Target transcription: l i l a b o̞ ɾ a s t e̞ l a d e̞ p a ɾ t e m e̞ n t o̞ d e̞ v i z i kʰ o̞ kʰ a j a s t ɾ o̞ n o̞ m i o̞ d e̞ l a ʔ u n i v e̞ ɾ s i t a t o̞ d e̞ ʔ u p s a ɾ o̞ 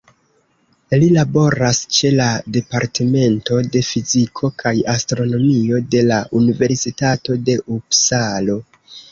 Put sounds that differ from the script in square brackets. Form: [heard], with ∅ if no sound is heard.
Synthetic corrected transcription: l i l a b o̞ ɾ a s [t͡ʃ] e̞ l a d e̞ p a ɾ t e m e̞ n t o̞ d e̞ [f] i z i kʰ o̞ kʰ a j a s t ɾ o̞ n o̞ m i o̞ d e̞ l a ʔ u n i v e̞ ɾ s i t a t o̞ d e̞ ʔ u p s a [l] o̞